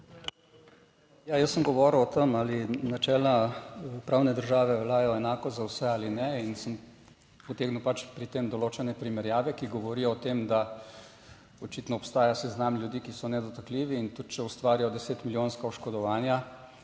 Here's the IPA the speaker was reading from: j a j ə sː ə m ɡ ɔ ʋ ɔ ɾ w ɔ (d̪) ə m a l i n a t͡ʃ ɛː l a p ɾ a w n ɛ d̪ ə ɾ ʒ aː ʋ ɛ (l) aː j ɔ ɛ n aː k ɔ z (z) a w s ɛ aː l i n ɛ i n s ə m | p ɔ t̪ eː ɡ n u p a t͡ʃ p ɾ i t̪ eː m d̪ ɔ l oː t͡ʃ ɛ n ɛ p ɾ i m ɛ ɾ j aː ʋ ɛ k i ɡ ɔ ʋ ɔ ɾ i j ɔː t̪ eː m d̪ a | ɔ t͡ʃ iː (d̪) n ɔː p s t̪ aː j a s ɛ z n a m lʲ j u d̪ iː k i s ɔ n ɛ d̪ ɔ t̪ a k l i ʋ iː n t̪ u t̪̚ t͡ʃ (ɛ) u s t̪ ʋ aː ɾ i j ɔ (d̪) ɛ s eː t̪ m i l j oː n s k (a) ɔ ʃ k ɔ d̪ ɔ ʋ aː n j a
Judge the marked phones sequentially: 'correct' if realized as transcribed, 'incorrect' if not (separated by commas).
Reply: incorrect, correct, correct, incorrect, correct, correct, correct